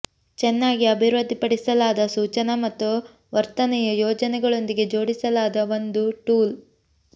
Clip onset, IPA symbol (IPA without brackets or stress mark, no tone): t͡ʃ